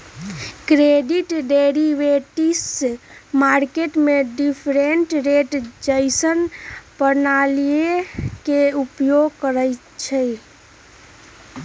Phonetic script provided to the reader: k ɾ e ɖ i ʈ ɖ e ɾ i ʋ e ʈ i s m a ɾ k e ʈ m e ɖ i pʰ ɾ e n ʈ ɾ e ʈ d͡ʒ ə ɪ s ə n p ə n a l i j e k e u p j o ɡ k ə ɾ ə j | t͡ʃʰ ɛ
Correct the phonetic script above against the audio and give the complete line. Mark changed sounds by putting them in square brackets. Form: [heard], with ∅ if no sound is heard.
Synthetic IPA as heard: k ɾ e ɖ i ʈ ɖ e ɾ i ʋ e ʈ i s m a ɾ k e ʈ m e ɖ i pʰ ɾ e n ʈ ɾ e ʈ d͡ʒ ə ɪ s ə n p ə n a l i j e k e u p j o ɡ k ə ɾ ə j | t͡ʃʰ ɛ